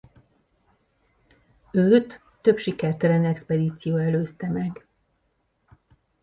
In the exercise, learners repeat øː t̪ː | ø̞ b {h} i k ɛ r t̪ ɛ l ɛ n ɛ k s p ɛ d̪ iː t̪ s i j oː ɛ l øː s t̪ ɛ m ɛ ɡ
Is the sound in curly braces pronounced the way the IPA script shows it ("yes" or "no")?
no